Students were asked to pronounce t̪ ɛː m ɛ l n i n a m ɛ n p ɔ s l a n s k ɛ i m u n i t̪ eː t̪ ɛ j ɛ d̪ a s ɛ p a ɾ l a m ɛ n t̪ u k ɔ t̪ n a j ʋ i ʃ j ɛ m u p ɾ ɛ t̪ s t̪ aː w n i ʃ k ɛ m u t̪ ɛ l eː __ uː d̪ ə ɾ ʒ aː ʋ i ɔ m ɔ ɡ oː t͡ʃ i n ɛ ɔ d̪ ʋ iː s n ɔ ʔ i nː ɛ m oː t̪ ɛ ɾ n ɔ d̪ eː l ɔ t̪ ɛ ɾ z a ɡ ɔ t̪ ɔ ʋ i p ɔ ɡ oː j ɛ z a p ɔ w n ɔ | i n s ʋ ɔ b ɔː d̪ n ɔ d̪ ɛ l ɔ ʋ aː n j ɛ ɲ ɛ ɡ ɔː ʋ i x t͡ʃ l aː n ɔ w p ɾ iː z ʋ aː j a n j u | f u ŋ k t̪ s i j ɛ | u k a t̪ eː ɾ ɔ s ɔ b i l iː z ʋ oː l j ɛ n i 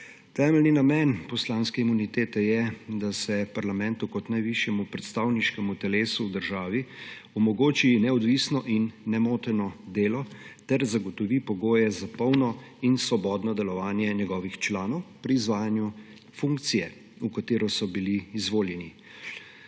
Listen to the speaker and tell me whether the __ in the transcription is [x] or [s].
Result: s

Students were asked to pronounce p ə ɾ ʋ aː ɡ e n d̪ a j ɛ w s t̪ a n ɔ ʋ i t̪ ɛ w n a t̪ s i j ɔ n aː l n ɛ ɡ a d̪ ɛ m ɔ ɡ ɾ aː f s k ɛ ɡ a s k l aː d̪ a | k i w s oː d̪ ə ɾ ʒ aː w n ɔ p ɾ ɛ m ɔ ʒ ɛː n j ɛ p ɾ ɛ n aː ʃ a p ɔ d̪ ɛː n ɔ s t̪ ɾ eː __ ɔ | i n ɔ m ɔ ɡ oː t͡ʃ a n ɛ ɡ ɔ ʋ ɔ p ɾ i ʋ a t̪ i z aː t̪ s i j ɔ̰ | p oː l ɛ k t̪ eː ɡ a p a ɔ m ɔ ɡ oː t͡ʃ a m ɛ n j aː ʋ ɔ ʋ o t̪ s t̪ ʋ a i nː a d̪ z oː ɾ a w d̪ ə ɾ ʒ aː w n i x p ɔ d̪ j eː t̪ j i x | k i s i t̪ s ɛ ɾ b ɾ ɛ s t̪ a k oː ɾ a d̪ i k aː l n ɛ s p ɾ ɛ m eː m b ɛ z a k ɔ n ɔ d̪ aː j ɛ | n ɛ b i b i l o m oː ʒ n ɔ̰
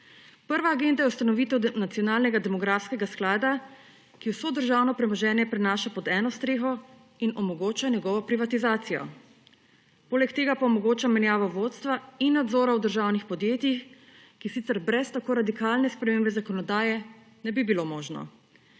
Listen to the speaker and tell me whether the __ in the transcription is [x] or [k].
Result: x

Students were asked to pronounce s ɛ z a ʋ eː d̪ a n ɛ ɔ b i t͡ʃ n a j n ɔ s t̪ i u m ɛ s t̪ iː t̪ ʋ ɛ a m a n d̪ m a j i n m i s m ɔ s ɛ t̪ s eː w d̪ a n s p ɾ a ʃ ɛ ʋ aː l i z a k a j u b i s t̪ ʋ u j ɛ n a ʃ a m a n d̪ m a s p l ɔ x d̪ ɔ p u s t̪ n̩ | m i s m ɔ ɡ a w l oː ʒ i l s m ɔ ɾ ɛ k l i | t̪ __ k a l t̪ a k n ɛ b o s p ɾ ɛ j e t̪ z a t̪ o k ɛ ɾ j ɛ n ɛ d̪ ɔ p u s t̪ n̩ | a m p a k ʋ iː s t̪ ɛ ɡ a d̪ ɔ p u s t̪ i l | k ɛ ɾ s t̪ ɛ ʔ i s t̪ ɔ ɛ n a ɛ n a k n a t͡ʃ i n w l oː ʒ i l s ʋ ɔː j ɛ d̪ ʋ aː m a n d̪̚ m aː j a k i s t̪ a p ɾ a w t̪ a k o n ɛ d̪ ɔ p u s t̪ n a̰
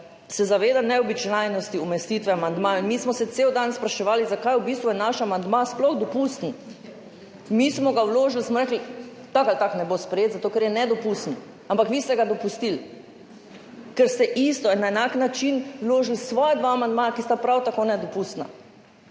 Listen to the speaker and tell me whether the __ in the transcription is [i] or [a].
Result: a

